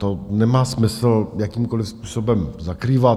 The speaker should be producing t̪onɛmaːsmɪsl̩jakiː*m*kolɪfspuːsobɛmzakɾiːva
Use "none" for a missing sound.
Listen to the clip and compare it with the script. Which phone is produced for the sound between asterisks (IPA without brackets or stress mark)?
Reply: m